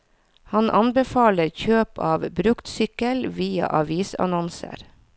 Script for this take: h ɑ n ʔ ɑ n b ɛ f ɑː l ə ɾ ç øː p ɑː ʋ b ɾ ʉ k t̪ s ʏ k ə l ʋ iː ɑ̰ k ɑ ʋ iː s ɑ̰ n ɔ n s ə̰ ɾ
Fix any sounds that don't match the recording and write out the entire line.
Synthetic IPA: h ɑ n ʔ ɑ n b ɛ f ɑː l ə ɾ ç øː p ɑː ʋ b ɾ ʉ k t̪ s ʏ k ə l ʋ iː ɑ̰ ʔ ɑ ʋ iː s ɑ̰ n ɔ n s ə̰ ɾ